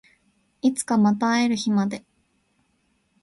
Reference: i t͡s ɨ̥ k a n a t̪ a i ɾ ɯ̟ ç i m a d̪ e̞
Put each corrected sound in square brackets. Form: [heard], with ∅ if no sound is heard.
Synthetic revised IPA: i t͡s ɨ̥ k a [m] a t̪ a [e] ɾ ɯ̟ ç i m a d̪ e̞